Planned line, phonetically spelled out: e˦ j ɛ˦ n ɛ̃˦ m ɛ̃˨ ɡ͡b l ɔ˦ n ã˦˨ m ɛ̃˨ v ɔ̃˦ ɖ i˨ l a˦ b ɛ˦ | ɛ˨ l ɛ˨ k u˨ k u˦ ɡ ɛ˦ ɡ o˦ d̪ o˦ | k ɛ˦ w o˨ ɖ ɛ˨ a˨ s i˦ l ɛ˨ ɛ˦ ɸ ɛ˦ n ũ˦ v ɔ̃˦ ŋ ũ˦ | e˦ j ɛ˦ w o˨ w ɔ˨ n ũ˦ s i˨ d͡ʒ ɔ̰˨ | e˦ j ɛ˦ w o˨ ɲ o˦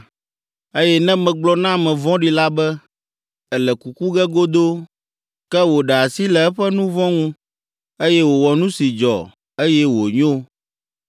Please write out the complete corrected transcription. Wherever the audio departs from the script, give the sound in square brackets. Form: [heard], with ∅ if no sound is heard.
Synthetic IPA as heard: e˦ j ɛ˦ n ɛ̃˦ m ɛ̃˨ ɡ͡b l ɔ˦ n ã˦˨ m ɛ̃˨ v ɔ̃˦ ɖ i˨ l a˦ b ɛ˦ | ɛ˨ l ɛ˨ k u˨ k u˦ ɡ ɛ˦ ɡ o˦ d̪ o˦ | k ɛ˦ w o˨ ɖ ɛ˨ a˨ s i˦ l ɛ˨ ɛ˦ ɸ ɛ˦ n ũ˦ v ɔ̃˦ ŋ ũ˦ | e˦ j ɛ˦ w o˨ w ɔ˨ n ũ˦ s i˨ d͡ʒ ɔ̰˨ | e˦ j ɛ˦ w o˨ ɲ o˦

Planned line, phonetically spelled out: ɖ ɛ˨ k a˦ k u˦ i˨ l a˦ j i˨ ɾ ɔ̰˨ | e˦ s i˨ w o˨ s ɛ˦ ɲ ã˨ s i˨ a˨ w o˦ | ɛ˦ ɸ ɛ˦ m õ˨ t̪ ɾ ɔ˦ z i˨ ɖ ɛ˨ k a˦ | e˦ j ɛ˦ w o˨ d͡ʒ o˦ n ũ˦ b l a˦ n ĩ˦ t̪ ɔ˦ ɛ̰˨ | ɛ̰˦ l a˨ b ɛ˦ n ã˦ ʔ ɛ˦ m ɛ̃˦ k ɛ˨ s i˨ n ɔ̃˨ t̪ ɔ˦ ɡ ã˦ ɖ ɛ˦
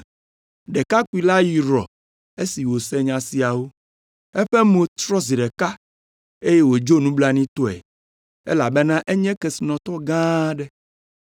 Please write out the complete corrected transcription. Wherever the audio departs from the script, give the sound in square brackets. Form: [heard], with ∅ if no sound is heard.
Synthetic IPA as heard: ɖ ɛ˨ k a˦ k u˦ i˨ l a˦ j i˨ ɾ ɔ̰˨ | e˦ s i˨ w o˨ s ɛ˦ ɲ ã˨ s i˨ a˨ w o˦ | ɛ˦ ɸ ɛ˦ m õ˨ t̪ ɾ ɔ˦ z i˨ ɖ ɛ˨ k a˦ | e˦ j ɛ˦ w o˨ d͡ʒ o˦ n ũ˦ b l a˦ n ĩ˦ t̪ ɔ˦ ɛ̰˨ | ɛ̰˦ l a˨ b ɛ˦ n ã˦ ʔ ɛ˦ [ɲ] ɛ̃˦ k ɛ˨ s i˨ n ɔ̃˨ t̪ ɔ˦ ɡ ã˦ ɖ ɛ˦

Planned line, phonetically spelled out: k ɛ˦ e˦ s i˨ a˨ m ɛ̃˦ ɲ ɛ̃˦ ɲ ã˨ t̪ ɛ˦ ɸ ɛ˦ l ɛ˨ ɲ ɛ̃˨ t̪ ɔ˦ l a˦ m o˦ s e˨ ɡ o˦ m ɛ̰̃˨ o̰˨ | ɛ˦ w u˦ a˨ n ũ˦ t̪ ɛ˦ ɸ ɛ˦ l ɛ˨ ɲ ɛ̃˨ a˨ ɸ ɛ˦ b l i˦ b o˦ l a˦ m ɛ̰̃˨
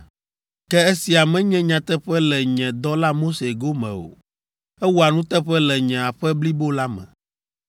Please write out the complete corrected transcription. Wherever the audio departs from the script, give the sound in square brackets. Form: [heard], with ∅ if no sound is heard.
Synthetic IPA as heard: k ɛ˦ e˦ s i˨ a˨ m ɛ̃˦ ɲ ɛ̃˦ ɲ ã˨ t̪ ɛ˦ ɸ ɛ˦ l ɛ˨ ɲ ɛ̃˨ [d̪] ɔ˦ l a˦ m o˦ s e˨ ɡ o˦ m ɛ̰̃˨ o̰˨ | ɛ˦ w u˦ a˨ n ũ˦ t̪ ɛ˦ ɸ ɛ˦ l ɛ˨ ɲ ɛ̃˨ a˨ ɸ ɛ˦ b l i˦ b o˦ l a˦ m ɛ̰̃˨

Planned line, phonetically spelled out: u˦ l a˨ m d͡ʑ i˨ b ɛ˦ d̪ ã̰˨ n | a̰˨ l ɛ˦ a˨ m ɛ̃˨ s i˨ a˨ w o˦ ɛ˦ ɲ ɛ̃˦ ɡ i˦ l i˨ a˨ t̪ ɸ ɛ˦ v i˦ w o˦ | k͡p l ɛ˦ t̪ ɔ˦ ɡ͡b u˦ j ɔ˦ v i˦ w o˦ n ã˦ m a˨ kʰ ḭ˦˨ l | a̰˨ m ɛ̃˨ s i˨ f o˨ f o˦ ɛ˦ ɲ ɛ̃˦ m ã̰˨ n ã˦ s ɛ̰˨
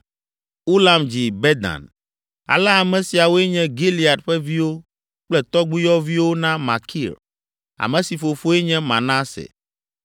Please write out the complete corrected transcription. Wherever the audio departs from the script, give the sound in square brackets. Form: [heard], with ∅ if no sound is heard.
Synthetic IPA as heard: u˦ l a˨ m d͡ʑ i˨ b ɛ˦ d̪ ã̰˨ n | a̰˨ l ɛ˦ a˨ m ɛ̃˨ s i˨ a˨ w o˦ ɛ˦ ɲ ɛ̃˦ ɡ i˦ l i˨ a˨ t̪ ɸ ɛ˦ v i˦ w o˦ | k͡p l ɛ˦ t̪ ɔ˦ ɡ͡b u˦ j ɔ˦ v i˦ w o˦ n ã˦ m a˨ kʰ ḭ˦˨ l | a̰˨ m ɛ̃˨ s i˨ f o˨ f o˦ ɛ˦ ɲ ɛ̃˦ m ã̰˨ n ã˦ s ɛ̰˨

